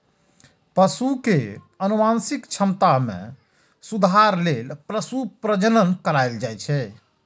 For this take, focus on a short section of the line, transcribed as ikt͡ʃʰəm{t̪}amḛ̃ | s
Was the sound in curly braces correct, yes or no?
yes